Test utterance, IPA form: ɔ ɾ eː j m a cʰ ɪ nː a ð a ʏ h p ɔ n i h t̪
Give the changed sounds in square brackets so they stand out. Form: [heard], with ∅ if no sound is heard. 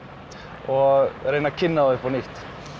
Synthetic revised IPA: ɔ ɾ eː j [n] a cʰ ɪ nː a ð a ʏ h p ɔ n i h t̪